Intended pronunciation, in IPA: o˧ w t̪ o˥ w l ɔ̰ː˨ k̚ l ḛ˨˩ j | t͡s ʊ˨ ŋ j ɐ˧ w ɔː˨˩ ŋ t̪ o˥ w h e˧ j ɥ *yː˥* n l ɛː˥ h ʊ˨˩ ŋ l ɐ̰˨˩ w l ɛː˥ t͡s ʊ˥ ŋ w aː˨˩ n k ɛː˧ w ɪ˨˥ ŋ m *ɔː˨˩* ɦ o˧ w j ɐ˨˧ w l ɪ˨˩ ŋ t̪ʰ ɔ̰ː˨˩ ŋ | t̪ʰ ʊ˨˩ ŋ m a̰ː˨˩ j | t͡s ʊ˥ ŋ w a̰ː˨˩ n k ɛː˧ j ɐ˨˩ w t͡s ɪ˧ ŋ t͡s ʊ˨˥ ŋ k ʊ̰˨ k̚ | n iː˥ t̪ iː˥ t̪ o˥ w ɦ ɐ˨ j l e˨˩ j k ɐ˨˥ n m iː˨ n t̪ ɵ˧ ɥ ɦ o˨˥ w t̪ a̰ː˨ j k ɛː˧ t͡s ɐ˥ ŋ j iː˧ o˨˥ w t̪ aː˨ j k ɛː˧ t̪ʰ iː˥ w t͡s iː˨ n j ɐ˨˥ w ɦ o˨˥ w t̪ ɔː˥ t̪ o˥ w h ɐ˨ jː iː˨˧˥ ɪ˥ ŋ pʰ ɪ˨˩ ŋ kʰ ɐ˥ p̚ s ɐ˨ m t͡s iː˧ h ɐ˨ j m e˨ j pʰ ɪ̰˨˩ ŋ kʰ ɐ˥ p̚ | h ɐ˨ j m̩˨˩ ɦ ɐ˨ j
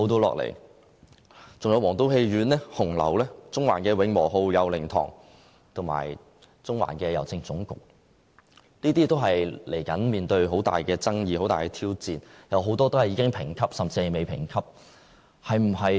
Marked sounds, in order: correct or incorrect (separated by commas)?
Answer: incorrect, correct